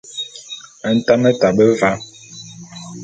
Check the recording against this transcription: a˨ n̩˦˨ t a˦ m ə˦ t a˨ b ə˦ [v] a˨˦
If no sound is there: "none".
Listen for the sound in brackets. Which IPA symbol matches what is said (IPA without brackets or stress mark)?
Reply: v